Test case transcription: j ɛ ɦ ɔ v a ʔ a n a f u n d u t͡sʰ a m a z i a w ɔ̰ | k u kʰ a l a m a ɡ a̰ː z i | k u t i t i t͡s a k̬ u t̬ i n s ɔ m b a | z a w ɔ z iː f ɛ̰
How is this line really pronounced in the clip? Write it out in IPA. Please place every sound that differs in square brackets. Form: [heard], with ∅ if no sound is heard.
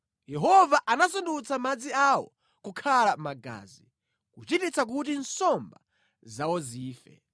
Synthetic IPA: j ɛ ɦ ɔ v a ʔ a n a [s] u n d u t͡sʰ a m a [d͡z] i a w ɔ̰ | k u kʰ a l a m a ɡ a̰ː z i | k u [t͡ʃ] i t i t͡s a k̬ u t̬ i n s ɔ m b a | z a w ɔ z iː f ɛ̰

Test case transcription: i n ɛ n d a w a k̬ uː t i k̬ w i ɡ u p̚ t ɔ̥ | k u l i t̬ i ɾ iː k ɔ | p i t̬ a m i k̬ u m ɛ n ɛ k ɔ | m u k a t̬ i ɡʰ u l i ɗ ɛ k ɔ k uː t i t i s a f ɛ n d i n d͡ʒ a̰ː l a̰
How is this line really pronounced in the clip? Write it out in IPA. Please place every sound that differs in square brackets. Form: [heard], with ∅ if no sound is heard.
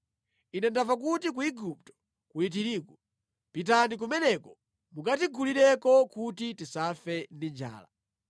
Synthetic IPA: i n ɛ n d a [v] a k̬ [u] t i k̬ [u] i ɡ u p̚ t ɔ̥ | k u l i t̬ i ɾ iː k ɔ | p i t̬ a [n] i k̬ u m ɛ n ɛ k ɔ | m u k a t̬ i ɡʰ u l i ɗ ɛ k ɔ k [u] t i t i s a f ɛ n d i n d͡ʒ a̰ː l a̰

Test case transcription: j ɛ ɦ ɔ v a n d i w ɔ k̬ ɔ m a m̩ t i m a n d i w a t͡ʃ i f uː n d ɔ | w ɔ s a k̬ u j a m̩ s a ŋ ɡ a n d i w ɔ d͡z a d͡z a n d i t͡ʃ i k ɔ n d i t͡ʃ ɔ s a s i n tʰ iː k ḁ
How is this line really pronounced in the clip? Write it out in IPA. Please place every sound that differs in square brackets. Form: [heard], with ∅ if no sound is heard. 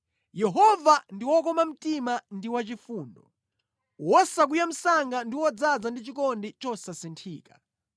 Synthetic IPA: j ɛ ɦ ɔ v a n d i w ɔ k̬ ɔ m a m̩ t i m a n d i w a t͡ʃ i f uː n d ɔ | w ɔ s a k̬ u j a m̩ s a ŋ ɡ a n d i w ɔ d͡z a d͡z a n d i t͡ʃ i k ɔ n d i t͡ʃ ɔ s a s i n tʰ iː k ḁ

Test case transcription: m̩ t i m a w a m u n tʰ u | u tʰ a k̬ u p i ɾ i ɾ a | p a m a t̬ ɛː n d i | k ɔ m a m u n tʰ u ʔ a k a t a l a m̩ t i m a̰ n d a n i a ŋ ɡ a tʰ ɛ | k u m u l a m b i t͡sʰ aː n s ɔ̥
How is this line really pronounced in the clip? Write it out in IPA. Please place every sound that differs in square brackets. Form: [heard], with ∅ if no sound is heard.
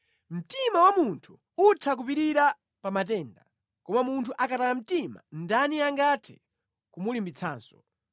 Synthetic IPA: m̩ t i m a w a m u n tʰ u | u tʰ a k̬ u p i ɾ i ɾ a | p a m a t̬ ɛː n d [a] | k ɔ m a m u n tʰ u ʔ a k a t a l a m̩ t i m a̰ n d a n i a ŋ ɡ a tʰ ɛ | k u m u l [i] m b i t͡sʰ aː n s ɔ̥

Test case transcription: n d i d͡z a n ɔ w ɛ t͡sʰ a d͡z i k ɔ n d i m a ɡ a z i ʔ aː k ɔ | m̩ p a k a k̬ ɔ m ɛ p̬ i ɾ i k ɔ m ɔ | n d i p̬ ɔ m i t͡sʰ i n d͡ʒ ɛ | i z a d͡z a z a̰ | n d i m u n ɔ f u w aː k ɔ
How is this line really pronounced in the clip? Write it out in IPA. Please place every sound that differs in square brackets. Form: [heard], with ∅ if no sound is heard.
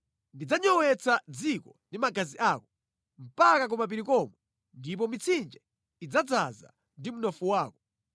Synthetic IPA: n d i d͡z a [ɲ] ɔ w ɛ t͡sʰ a d͡z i k ɔ n d i m a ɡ a z i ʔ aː k ɔ | m̩ p a k a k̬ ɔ m [a] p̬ i ɾ i k ɔ m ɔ | n d i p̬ ɔ m i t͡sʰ i n d͡ʒ ɛ | i [d͡z] a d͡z a z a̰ | n d i m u n ɔ f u w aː k ɔ

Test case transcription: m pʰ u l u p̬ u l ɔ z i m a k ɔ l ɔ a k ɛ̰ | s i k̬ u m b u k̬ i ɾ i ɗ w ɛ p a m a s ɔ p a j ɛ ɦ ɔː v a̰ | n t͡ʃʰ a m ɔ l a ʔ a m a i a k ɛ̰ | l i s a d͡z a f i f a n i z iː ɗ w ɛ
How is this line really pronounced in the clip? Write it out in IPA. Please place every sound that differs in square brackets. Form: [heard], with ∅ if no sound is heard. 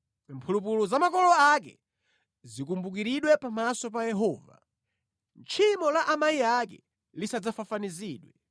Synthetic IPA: m pʰ u l u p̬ u l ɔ z [a] m a k ɔ l ɔ a k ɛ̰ | [z] i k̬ u m b u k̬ i ɾ i ɗ w ɛ p a m a s ɔ p a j ɛ ɦ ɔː v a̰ | n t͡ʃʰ [i] m ɔ l a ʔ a m a i a k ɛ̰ | l i s a d͡z a f [a] f a n i z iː ɗ w ɛ

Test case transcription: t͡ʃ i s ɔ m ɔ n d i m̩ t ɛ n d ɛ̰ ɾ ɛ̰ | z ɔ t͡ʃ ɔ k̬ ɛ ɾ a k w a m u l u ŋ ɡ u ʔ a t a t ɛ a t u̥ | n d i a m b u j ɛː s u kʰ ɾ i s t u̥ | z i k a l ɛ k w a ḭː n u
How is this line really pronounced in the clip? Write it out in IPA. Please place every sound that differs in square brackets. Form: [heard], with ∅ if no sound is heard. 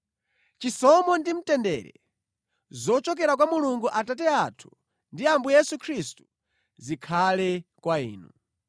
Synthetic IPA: t͡ʃ i s ɔ m ɔ n d i m̩ t ɛ n d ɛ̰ ɾ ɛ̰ | z ɔ t͡ʃ ɔ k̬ ɛ ɾ a k w a m u l u ŋ ɡ u ʔ a t a t ɛ a [tʰ] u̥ | n d i a m b u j [ɛ] s u kʰ ɾ i s t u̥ | z i [kʰ] a l ɛ k w a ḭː n u

